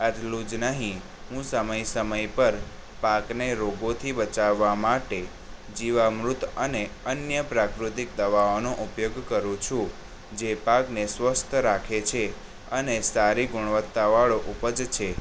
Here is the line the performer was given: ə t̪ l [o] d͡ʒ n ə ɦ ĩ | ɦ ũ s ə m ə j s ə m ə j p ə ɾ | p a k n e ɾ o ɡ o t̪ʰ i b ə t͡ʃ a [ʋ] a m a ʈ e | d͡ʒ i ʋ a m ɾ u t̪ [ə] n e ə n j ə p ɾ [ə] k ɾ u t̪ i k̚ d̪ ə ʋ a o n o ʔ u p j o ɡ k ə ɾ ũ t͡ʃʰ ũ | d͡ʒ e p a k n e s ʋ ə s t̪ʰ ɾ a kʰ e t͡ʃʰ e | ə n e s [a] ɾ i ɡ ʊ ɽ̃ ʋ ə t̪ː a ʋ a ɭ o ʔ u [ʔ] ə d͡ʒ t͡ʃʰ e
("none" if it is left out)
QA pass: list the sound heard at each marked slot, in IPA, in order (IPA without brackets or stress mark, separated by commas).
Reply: u, ʋː, ə, a, a, p